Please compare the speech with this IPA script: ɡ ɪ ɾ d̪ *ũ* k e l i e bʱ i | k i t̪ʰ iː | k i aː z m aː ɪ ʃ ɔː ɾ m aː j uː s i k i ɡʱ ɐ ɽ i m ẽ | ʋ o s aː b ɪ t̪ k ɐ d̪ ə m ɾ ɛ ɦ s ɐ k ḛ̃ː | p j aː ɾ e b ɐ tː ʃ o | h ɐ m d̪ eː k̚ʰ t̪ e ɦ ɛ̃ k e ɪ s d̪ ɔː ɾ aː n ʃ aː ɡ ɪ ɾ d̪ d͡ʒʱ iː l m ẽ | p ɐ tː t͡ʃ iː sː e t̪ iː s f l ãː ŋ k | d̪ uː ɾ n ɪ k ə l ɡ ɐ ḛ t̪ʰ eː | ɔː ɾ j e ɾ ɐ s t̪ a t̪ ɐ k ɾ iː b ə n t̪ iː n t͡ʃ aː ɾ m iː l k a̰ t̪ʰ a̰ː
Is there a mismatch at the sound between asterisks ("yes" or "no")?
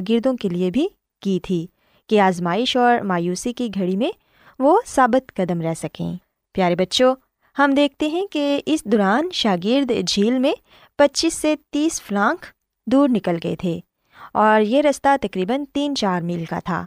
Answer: yes